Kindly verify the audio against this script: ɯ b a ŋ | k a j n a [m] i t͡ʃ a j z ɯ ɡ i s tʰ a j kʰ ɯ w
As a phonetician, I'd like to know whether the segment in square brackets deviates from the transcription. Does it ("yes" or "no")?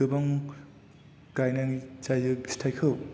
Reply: yes